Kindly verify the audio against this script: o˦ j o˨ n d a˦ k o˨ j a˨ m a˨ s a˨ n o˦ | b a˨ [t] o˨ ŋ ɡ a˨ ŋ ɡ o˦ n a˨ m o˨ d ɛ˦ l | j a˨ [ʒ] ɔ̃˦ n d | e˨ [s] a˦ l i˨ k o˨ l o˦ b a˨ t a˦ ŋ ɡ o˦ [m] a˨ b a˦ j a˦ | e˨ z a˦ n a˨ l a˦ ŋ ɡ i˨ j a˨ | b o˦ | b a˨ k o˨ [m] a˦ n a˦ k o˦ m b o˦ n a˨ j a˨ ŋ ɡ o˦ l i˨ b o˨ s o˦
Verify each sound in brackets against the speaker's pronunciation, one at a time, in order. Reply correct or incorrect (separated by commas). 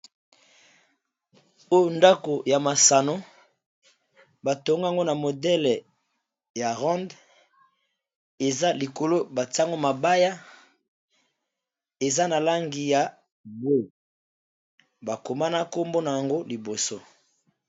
correct, incorrect, incorrect, correct, correct